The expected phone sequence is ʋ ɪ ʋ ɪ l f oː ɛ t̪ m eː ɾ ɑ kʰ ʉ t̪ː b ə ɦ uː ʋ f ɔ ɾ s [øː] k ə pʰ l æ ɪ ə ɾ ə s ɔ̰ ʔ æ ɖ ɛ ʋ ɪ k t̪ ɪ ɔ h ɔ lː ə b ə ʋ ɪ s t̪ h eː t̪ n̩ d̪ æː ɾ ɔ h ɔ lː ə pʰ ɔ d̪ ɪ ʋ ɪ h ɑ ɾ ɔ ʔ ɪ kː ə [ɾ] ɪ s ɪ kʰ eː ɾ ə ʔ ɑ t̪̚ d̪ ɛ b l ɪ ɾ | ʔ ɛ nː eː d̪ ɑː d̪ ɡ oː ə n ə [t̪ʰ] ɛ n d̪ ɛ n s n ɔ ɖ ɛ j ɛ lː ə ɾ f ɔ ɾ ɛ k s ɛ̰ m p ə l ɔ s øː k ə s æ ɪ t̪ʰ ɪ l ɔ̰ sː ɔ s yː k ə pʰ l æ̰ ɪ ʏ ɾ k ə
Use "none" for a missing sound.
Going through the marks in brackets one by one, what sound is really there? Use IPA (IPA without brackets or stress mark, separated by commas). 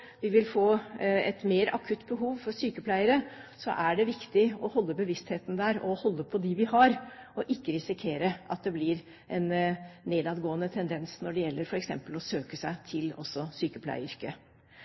yː, ɾ, t̪ʰ